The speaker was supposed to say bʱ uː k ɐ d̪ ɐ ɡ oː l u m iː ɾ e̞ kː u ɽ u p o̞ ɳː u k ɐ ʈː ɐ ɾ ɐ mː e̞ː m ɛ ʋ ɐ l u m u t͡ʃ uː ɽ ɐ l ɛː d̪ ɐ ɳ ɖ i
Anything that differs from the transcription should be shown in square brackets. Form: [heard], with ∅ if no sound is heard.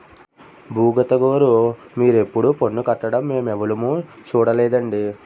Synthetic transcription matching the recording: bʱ uː [ɡ] ɐ [t̪] ɐ ɡ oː [ɾ] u m iː ɾ e̞ [pː] u ɽ u p o̞ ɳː u k ɐ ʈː ɐ [ɽ] ɐ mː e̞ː m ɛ ʋ ɐ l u m u t͡ʃ uː ɽ ɐ l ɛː d̪ ɐ ɳ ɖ i